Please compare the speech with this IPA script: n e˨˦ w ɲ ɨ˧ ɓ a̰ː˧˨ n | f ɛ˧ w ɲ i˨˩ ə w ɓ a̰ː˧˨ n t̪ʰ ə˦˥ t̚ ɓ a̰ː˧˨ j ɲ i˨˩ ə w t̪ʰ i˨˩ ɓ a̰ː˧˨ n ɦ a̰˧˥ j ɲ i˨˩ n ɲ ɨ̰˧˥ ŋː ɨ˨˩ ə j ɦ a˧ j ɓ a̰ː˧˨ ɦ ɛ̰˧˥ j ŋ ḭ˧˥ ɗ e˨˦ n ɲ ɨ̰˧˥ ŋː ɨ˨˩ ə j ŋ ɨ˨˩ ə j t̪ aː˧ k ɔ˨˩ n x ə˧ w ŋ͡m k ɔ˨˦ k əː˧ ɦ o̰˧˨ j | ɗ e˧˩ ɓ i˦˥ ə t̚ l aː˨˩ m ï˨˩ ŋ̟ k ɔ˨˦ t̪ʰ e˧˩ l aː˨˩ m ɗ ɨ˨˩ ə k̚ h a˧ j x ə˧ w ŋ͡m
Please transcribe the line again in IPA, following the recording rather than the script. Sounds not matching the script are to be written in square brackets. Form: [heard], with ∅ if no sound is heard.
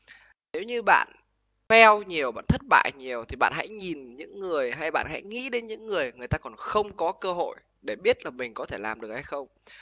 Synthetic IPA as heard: n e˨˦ w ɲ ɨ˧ ɓ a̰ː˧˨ n | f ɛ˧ w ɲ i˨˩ ə w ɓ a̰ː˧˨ n t̪ʰ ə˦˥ t̚ ɓ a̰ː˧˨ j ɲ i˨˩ ə w t̪ʰ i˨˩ ɓ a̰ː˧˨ n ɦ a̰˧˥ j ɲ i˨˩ n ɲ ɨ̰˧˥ ŋː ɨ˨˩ ə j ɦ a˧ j ɓ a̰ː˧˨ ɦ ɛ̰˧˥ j ŋ ḭ˧˥ ɗ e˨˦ n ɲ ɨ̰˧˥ ŋː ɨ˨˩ ə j ŋ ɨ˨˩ ə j t̪ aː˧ k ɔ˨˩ n x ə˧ w ŋ͡m k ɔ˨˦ k əː˧ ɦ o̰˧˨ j | ɗ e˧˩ ɓ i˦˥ ə t̚ l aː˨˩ m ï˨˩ ŋ̟ k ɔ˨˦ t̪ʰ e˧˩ l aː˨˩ m ɗ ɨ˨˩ ə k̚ h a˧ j x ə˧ w ŋ͡m